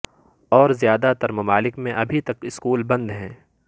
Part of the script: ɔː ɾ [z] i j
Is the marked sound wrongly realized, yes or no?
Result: no